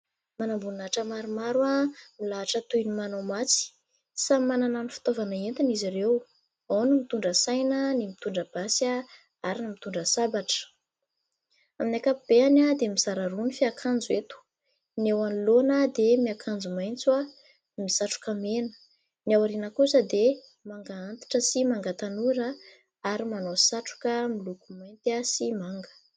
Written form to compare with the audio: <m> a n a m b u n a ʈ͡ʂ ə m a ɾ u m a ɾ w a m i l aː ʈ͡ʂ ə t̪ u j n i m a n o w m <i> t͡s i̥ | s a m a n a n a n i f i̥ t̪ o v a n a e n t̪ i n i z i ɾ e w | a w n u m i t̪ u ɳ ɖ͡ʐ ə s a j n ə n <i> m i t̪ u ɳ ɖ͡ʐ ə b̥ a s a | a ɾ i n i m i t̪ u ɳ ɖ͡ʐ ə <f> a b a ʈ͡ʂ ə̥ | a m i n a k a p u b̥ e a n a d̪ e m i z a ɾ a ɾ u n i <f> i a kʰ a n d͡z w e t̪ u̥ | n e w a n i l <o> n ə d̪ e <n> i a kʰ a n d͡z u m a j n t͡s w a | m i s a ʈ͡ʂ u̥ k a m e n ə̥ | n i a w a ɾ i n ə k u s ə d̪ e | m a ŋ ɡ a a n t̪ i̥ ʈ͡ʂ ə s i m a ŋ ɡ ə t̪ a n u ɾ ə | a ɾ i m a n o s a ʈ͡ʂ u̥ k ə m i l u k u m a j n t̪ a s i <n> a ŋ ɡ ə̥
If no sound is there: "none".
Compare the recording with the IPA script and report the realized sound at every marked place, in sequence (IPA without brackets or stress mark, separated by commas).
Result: m, a, i, s, f, o, m, m